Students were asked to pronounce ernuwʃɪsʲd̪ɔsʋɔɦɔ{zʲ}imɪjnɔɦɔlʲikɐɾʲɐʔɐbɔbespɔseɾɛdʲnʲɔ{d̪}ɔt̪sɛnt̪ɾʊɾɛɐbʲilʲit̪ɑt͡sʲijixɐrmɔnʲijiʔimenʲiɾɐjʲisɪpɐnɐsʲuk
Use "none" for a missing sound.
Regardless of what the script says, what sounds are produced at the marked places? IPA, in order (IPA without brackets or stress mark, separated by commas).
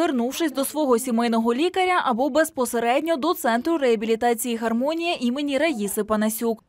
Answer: sʲ, d̪